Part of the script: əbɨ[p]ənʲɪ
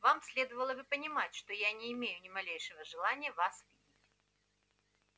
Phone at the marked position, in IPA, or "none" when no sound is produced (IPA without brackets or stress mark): p